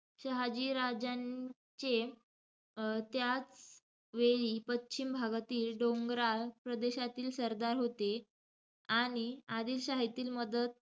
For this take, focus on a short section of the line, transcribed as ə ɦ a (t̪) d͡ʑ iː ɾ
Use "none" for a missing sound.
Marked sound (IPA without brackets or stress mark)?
none